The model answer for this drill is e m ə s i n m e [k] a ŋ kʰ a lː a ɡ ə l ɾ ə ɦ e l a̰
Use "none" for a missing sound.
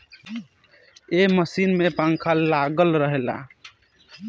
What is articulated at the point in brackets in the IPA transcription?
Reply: p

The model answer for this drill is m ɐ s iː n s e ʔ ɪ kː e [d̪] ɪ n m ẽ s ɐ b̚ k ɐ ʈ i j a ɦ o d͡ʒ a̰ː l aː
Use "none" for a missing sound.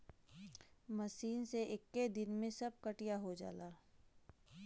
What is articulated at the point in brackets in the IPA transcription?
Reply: d̪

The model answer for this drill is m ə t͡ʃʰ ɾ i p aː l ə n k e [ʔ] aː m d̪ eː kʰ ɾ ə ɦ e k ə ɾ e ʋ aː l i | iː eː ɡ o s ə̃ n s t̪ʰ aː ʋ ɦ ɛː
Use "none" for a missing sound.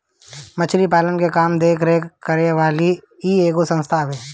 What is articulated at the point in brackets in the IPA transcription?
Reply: k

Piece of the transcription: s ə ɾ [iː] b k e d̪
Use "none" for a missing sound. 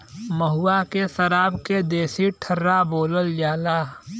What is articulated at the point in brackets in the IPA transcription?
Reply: aː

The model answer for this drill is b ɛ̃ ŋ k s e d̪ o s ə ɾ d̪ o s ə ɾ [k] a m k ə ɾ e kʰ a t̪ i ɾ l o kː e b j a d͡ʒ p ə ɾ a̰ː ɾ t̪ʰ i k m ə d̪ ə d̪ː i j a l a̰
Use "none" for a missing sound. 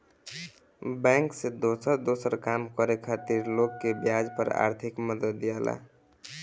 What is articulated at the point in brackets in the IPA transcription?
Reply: k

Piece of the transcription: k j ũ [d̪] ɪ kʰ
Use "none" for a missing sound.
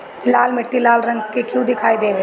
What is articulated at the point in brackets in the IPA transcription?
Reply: d̪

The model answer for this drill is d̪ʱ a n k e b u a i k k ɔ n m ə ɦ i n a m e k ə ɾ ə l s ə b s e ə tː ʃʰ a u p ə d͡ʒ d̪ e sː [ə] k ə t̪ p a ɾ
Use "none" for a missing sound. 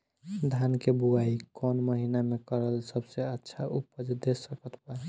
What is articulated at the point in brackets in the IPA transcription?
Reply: ə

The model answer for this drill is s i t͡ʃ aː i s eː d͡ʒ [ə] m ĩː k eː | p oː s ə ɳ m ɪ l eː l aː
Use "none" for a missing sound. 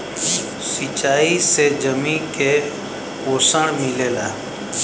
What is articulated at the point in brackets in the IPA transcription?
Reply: ə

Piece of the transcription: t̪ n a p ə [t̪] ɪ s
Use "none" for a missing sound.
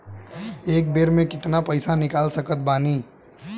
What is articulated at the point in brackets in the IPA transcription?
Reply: none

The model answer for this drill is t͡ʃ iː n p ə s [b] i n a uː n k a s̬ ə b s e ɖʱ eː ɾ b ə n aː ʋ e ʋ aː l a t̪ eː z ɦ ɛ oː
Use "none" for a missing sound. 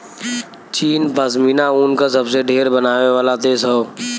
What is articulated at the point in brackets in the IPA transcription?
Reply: m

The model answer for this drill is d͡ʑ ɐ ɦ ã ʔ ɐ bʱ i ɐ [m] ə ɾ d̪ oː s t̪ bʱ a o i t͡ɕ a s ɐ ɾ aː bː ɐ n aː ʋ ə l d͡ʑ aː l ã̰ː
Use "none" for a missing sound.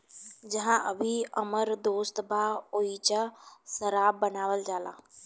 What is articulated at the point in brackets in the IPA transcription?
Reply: m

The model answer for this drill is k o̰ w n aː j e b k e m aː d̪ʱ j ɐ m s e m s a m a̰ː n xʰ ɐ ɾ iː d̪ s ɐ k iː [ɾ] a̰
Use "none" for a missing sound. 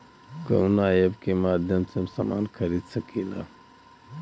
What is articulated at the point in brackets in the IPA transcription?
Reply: l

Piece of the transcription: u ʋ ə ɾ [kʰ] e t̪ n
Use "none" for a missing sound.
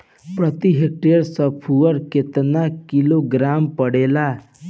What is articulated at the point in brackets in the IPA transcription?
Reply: k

